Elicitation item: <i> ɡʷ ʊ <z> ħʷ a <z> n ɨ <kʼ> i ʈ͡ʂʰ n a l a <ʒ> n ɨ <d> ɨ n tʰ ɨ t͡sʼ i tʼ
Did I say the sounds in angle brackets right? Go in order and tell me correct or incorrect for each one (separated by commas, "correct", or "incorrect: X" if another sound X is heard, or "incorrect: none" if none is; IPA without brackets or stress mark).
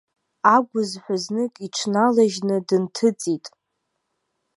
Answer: incorrect: a, correct, correct, correct, correct, correct